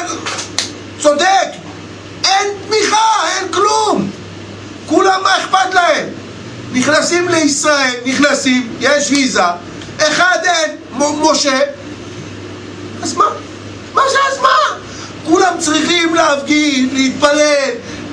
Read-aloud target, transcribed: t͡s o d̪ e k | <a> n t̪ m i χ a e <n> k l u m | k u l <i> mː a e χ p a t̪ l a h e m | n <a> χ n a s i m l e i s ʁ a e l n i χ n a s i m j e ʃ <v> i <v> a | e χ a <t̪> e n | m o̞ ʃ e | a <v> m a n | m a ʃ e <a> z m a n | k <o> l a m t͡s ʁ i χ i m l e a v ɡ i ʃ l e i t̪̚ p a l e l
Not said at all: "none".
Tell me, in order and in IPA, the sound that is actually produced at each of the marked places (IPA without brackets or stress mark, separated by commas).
e, n, a, i, v, z, d̪, z, a, u